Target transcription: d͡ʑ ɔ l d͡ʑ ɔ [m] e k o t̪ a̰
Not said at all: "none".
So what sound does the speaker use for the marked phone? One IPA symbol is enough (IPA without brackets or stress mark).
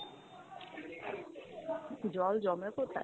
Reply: m